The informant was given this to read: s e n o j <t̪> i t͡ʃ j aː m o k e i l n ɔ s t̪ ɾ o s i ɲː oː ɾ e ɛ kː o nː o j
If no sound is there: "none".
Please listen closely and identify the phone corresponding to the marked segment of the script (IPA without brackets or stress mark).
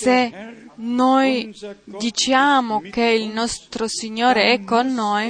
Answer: d̪